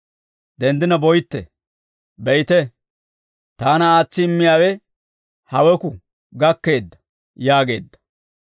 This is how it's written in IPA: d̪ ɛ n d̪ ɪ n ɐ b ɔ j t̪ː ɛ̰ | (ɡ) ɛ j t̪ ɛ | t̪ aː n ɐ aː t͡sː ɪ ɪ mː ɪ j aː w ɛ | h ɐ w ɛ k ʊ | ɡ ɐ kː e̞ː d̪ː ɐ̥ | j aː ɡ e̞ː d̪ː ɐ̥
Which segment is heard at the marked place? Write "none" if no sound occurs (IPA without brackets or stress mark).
b